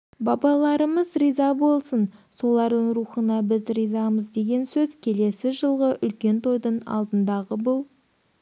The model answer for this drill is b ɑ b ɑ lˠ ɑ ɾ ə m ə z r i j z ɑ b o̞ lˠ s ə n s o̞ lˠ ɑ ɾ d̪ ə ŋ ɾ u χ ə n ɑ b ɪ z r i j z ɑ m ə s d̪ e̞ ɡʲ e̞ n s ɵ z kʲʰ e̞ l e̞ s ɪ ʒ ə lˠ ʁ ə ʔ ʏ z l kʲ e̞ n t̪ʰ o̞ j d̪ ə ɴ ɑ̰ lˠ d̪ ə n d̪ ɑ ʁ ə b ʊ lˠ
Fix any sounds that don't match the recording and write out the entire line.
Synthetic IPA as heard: b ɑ b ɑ lˠ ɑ ɾ ə m ə z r i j z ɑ b o̞ lˠ s ə n s o̞ lˠ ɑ ɾ d̪ ə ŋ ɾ u χ ə n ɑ b ɪ z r i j z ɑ m ə z d̪ e̞ ɡʲ e̞ n s ɵ z kʲʰ e̞ l e̞ s ɪ ʒ ə lˠ ʁ ə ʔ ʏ l kʲ e̞ n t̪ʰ o̞ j d̪ ə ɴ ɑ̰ lˠ d̪ ə n d̪ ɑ ʁ ə b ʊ lˠ